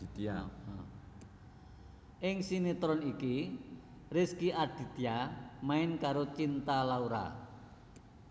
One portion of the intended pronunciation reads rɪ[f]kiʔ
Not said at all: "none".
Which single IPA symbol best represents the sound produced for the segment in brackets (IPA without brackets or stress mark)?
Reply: s